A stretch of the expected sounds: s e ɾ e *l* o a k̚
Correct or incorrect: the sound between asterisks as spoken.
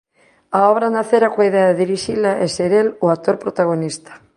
correct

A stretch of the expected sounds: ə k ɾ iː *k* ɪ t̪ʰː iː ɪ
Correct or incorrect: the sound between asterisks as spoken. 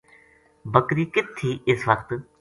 correct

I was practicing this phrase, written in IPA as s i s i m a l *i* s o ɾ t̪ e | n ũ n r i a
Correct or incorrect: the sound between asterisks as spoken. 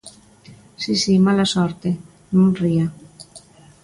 incorrect: a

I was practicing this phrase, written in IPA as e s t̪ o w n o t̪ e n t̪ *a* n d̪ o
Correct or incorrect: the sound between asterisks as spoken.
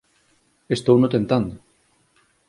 correct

